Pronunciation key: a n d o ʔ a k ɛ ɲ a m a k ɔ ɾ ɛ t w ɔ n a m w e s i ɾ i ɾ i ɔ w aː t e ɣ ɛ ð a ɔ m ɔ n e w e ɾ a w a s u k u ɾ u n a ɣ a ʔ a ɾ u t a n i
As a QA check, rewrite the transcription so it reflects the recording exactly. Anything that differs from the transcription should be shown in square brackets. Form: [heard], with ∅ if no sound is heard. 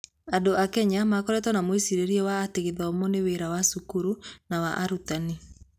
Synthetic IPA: a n d o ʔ a k ɛ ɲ a m a k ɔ ɾ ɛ t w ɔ n a m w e s i ɾ [e] ɾ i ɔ w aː t e ɣ [e] ð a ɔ m ɔ n e w e ɾ a w a s u k u ɾ u n a [w] a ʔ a ɾ u t a n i